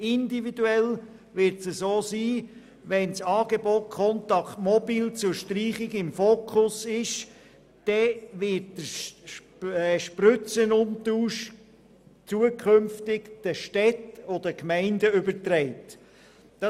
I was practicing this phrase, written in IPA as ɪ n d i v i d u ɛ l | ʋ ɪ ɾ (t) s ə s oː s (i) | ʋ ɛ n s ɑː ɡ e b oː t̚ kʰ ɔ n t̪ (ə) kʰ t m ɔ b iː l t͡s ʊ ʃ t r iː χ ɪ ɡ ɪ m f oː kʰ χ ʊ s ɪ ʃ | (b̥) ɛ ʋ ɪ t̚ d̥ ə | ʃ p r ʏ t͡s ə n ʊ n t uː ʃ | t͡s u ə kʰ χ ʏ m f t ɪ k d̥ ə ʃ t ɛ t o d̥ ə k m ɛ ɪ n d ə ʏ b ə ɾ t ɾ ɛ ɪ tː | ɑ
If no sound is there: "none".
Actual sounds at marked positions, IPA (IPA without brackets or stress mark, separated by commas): t, iː, ɑ, d̥